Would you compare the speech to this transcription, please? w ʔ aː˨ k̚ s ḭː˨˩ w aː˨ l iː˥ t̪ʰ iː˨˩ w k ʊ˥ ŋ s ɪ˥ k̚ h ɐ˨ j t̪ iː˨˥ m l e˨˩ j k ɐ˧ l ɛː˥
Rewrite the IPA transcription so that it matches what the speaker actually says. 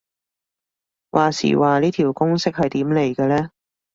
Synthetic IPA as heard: w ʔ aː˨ s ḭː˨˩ w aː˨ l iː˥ t̪ʰ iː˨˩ w k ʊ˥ ŋ s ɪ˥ k̚ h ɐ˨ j t̪ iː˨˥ m l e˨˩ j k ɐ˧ l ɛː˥